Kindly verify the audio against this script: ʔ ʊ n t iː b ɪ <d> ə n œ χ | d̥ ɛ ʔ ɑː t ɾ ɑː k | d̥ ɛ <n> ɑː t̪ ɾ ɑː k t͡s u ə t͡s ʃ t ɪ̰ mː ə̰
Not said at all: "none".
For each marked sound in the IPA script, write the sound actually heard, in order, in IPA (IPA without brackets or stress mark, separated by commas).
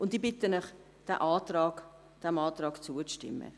t, m